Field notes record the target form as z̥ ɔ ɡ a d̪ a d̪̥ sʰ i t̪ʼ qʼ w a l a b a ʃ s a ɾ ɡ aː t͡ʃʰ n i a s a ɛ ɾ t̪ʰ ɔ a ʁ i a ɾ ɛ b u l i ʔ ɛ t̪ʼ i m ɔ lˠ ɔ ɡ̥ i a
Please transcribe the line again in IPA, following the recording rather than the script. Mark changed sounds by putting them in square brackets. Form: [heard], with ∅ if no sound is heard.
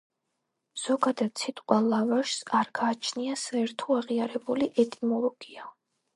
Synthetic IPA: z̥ ɔ ɡ a d̪ a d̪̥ sʰ i t̪ʼ qʼ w a l a [v] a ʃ s a ɾ ɡ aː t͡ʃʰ n i a s a ɛ ɾ t̪ʰ ɔ a ʁ i a ɾ ɛ b u l i ʔ ɛ t̪ʼ i m ɔ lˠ ɔ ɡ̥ i a